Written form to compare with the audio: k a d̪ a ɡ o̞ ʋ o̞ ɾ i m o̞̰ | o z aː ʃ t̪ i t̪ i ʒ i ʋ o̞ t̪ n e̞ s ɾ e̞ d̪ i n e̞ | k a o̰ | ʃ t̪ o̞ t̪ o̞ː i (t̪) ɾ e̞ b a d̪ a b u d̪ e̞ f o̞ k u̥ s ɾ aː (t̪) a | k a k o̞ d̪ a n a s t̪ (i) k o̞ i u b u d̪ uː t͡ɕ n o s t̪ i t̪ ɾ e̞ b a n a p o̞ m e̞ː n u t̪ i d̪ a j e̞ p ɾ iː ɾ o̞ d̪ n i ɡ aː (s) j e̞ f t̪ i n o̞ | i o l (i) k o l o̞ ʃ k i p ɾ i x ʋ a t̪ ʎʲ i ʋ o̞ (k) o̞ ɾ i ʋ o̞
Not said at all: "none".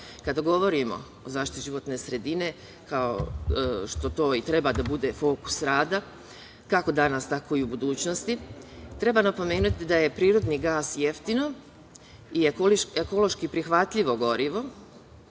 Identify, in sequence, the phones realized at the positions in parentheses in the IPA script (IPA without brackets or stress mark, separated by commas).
t̪, d̪, a, s, e, ɡ